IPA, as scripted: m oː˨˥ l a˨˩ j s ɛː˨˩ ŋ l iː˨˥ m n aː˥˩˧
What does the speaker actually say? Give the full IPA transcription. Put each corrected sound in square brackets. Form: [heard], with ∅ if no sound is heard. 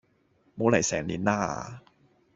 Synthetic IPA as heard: m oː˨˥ l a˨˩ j s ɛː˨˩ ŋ l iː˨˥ [n] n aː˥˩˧